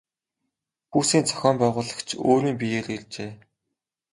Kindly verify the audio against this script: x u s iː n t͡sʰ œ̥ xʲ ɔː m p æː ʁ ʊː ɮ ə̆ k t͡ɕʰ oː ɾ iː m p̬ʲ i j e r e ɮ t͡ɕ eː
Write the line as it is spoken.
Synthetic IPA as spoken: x uː s iː n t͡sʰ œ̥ xʲ ɔː m p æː ʁ ʊː ɮ ə̆ k t͡ɕʰ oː ɾ iː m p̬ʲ i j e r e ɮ t͡ɕ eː